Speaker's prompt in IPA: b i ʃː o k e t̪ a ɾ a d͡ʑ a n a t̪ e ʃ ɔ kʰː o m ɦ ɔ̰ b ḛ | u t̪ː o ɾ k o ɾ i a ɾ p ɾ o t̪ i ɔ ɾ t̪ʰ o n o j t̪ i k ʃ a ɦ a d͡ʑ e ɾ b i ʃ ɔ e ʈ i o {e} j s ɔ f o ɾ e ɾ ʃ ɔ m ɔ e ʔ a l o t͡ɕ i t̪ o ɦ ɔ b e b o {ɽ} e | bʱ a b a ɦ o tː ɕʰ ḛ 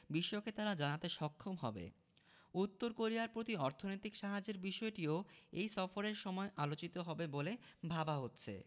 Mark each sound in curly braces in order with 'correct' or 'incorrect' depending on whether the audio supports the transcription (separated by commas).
correct, incorrect